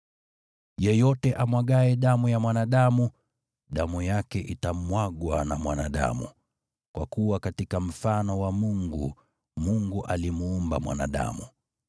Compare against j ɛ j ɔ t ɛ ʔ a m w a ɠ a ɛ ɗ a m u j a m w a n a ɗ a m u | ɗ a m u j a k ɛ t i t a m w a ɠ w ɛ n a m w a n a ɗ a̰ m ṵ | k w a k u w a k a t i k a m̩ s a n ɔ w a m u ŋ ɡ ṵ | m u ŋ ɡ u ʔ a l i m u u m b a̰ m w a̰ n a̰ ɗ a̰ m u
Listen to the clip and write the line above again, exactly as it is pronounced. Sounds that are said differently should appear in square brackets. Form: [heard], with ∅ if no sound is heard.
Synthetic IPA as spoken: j ɛ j ɔ t ɛ ʔ a m w a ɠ a ɛ ɗ a m u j a m w a n a ɗ a m u | ɗ a m u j a k ɛ [ʔ] i t a m w a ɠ w [a] n a m w a n a ɗ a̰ m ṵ | k w a k u w a k a t i k a m̩ [f] a n ɔ w a m u ŋ ɡ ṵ | m u ŋ ɡ u ʔ a l i m u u m b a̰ m w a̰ n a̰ ɗ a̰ m u